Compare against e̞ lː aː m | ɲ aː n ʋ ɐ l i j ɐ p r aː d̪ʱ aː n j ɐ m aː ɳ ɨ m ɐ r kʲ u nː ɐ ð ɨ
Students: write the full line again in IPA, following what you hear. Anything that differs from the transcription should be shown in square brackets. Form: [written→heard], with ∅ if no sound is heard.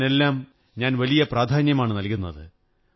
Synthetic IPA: e̞ lː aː m | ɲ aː n ʋ ɐ l i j ɐ p r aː d̪ʱ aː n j ɐ m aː ɳ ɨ [m→n] ɐ [r→l] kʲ u nː ɐ ð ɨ